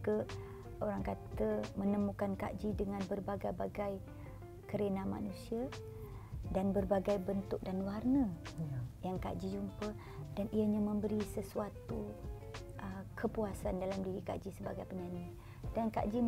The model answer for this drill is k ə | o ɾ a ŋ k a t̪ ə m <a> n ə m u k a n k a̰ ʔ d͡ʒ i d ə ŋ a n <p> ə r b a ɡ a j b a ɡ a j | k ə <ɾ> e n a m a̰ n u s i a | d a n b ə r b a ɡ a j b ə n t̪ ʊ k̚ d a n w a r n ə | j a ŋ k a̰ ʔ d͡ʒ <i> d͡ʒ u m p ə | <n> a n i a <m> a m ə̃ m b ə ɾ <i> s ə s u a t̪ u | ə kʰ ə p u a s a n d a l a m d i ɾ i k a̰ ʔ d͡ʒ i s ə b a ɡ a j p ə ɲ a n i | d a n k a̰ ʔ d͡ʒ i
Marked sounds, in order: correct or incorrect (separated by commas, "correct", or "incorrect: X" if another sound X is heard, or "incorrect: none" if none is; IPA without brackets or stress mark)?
incorrect: ə, incorrect: b, correct, correct, incorrect: d, incorrect: ɲ, correct